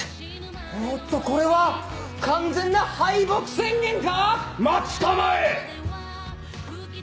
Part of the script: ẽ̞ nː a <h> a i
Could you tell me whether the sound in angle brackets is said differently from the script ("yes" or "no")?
no